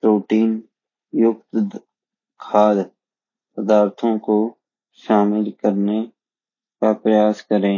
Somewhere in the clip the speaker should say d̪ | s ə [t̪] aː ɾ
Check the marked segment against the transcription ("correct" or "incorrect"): incorrect